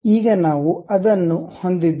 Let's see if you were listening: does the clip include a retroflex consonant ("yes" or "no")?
no